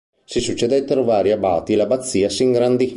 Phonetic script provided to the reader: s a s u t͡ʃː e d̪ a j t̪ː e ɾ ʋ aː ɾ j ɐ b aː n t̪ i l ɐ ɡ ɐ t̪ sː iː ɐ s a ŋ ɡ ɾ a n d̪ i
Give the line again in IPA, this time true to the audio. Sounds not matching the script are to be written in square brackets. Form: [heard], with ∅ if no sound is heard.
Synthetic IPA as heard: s [i] s u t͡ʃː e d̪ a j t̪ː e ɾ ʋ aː ɾ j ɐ b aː [∅] t̪ i l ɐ [b] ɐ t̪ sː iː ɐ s [i] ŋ ɡ ɾ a n d̪ i